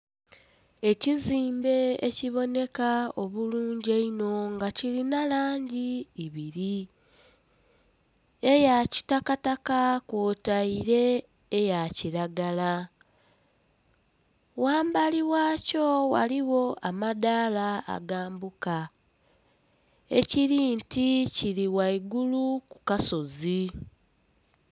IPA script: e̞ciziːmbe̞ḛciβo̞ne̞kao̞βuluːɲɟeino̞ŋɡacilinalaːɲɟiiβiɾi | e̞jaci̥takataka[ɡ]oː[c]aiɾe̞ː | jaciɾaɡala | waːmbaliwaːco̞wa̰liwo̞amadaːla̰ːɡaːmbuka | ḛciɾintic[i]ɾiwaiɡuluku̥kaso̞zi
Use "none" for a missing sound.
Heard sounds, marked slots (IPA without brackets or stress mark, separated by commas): k, t, i